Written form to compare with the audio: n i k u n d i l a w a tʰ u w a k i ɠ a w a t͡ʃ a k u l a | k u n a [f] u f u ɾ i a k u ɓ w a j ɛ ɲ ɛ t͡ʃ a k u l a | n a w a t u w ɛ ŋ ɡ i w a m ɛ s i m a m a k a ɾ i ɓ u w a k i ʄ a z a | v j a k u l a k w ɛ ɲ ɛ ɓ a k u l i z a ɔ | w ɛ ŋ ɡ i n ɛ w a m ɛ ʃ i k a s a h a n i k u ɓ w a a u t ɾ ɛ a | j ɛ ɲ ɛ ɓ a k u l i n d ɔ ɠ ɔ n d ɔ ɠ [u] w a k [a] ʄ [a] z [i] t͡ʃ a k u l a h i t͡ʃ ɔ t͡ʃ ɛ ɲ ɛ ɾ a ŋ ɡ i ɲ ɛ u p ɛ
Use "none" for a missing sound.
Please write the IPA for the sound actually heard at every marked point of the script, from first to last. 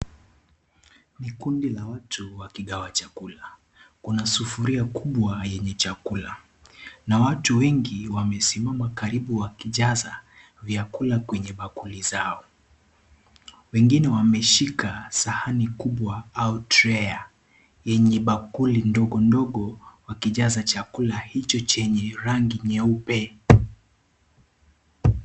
s, ɔ, i, a, a

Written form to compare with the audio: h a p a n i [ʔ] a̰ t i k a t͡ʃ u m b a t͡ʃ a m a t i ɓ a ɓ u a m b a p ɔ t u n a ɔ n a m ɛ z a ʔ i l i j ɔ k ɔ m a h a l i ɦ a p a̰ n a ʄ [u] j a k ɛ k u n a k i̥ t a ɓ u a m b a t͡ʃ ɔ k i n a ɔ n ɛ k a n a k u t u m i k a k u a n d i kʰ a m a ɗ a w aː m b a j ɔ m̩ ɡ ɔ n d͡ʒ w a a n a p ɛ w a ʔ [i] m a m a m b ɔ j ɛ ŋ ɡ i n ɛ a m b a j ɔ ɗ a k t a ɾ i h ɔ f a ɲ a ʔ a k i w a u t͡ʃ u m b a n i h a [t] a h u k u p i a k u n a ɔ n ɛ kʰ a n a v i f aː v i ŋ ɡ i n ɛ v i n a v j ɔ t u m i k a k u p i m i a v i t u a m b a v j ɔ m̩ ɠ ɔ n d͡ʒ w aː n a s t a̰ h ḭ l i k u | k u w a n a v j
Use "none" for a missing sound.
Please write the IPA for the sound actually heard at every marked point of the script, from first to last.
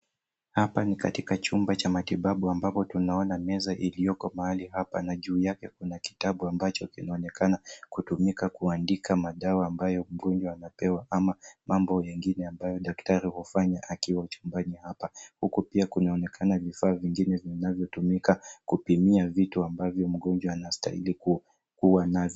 k, uː, a, p

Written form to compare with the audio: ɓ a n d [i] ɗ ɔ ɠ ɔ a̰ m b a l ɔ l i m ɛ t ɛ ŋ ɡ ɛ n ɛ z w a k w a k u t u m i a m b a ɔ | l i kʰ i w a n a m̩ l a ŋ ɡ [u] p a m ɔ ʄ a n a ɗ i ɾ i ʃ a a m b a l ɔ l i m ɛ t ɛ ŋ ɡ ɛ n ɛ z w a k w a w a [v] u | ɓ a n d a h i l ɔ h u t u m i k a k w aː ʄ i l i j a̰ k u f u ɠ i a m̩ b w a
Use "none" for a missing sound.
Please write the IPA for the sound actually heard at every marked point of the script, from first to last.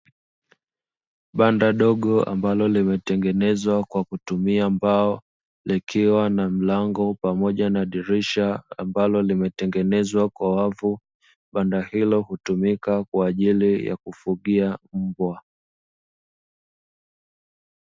a, ɔ, v

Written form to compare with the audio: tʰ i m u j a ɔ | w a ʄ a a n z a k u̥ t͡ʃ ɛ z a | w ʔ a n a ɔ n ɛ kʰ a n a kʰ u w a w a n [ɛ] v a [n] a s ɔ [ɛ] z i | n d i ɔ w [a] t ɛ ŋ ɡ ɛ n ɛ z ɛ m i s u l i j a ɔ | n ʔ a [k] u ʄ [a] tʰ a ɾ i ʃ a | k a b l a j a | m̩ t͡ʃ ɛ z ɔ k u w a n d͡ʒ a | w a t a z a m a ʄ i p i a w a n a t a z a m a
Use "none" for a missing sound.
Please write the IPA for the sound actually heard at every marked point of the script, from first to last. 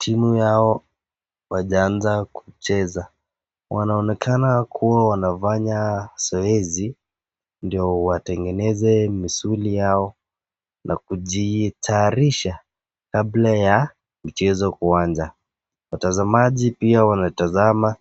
a, ɲ, ɛ, a, k, i

